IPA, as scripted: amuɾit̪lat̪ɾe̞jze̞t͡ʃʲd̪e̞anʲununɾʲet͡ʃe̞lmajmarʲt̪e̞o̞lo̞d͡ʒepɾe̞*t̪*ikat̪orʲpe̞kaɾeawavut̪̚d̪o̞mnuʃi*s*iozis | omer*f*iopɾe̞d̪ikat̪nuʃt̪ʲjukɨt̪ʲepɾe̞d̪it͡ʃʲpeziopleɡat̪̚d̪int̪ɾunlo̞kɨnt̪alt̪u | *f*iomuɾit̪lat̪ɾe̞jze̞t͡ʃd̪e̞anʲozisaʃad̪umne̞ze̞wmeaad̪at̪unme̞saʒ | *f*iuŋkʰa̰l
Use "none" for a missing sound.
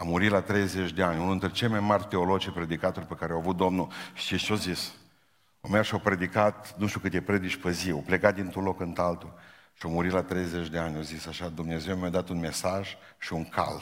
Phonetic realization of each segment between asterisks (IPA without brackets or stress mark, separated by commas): d̪, ʃ, ʃ, ʃ, ʃ